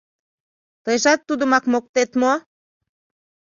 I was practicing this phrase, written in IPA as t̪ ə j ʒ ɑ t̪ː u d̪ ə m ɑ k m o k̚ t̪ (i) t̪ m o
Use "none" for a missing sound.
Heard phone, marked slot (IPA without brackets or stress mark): e